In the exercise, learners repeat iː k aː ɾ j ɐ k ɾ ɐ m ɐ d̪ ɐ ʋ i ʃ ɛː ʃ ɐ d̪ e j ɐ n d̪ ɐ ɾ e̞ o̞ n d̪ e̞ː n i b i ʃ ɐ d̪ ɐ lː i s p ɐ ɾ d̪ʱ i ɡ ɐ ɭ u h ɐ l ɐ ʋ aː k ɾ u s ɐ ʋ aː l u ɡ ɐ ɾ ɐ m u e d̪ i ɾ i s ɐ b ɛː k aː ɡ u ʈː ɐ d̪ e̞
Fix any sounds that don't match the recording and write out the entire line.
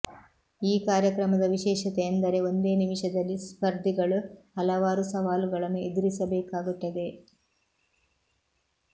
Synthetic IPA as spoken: iː k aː ɾ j ɐ k ɾ ɐ m ɐ d̪ ɐ ʋ i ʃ ɛː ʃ ɐ t̪ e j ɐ n d̪ ɐ ɾ e̞ o̞ n d̪ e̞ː n i m i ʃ ɐ d̪ ɐ lː i s p ɐ ɾ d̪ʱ i ɡ ɐ ɭ u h ɐ l ɐ ʋ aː ɾ u s ɐ ʋ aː l u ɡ ɐ ɭ ɐ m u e d̪ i ɾ i s ɐ b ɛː k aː ɡ u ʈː ɐ d̪ e̞